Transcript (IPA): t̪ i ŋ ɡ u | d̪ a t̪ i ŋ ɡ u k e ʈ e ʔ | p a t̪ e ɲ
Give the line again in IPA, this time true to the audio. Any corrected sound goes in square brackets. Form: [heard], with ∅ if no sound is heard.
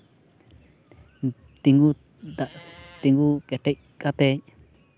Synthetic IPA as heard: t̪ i ŋ ɡ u | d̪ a t̪ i ŋ ɡ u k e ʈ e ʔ | [k] a t̪ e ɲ